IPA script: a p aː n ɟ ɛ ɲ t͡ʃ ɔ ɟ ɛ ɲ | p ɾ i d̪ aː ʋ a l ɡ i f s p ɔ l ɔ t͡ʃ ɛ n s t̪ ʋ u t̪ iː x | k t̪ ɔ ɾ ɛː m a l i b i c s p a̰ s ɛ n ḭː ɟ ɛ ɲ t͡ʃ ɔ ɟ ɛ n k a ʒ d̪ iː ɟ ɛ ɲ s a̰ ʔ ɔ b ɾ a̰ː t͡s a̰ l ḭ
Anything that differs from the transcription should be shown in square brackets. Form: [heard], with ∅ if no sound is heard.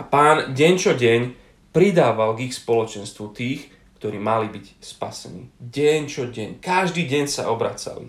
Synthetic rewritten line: a p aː n ɟ ɛ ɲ t͡ʃ ɔ ɟ ɛ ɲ | p ɾ i d̪ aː ʋ a l ɡ i [x] s p ɔ l ɔ t͡ʃ ɛ n s t̪ ʋ u t̪ iː x | k t̪ ɔ ɾ [iː] m a l i b i c s p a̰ s ɛ n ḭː ɟ ɛ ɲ t͡ʃ ɔ ɟ ɛ [ɲ] k a ʒ d̪ iː ɟ ɛ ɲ s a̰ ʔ ɔ b ɾ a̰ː t͡s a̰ l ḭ